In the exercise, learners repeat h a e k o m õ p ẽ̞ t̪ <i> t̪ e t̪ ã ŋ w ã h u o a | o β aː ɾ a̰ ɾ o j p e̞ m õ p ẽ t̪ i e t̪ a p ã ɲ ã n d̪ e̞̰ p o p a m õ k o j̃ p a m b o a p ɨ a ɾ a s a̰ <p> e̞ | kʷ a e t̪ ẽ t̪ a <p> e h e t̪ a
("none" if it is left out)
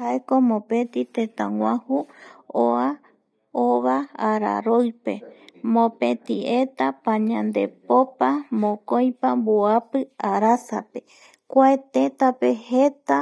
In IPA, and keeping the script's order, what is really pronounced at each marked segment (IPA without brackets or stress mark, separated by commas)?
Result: i, p, p